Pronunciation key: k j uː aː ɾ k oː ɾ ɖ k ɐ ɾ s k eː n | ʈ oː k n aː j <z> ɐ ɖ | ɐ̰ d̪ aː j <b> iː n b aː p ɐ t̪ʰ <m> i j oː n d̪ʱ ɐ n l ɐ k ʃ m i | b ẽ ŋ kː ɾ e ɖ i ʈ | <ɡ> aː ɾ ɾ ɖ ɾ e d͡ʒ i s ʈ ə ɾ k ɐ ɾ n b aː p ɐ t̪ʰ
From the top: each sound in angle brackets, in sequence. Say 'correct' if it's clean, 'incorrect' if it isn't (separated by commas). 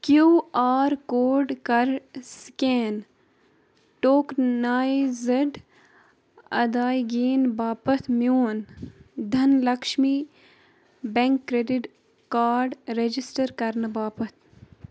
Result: correct, incorrect, correct, incorrect